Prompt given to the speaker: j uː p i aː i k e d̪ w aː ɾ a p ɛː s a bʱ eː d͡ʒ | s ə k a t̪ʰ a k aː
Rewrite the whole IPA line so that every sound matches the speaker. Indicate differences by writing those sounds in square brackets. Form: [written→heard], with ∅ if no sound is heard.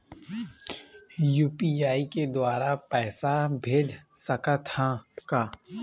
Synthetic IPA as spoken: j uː p i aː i k e d̪ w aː ɾ a p ɛː s a bʱ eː d͡ʒ | s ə k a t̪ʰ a k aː

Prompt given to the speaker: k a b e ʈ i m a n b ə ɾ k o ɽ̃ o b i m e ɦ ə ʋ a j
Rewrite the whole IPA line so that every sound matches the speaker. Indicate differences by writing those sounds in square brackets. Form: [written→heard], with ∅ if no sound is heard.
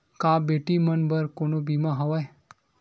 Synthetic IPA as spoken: k a b e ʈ i m [a→ə] n b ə ɾ k o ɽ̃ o b i m [e→a] ɦ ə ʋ a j

